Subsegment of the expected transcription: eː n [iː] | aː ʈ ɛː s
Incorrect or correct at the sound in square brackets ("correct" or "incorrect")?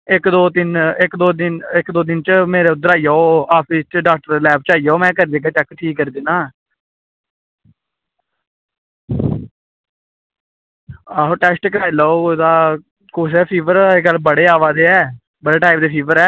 incorrect